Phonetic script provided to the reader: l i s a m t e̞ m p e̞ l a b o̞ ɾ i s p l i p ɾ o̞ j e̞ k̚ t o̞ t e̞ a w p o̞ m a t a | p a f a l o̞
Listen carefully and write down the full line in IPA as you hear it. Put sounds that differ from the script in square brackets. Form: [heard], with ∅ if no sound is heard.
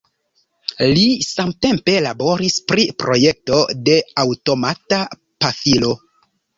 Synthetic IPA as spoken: l i s a m t e̞ m p e̞ l a b o̞ ɾ i s p [ɾ] i p ɾ o̞ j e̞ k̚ t o̞ [d] e̞ a w [t] o̞ m a t a | p a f [i] l o̞